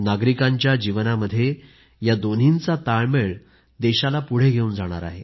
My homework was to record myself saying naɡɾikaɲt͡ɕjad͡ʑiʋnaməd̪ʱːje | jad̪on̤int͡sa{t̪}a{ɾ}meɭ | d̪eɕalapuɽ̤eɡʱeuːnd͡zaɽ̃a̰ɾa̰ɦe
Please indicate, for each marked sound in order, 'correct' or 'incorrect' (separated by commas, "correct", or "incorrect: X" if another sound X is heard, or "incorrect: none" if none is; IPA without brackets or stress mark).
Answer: correct, incorrect: ɭ